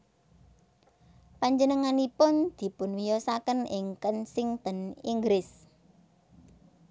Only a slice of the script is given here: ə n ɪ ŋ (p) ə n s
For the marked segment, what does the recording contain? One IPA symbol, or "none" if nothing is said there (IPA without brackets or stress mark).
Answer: k